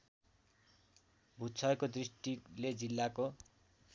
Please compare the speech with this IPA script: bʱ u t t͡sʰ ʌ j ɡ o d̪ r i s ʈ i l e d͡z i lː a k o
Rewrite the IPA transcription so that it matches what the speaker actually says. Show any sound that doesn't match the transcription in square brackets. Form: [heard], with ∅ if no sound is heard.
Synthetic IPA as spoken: bʱ u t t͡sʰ ʌ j [k] o d̪ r i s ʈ i l e d͡z i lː a k o